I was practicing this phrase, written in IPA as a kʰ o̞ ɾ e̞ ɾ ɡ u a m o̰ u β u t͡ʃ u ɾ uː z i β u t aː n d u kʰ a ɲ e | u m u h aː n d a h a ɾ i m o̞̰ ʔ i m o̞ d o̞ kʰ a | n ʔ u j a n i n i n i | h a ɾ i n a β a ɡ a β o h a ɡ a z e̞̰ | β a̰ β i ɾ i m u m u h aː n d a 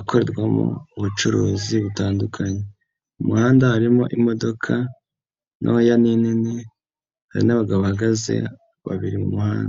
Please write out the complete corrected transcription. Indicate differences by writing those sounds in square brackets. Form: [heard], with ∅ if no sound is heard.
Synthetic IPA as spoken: a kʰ o̞ ɾ e̞ ɾ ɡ [w] a m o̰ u β u t͡ʃ u ɾ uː z i β u t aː n d u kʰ a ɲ e | u m u h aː n d a h a ɾ i m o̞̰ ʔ i m o̞ d o̞ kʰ a | n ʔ [o] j a n i n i n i | h a ɾ i n a β a ɡ a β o h a ɡ a z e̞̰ | β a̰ β i ɾ i m u m u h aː n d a